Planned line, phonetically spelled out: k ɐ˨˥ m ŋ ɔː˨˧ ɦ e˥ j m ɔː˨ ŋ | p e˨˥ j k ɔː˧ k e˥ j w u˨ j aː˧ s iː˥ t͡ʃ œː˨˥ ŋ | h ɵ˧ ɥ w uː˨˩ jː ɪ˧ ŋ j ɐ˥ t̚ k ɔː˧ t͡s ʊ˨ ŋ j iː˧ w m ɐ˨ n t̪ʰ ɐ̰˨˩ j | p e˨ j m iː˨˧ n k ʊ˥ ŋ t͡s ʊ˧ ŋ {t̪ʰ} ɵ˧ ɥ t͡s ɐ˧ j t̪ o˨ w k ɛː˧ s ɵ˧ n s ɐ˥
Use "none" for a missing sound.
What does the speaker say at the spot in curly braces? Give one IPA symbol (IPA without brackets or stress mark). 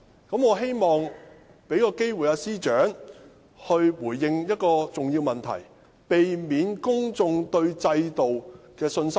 t̪